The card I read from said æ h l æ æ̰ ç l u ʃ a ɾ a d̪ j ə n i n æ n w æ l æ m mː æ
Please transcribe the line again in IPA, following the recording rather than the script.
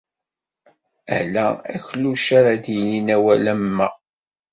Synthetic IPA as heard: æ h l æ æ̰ ç l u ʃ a ɾ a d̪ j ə n i n æ w æ l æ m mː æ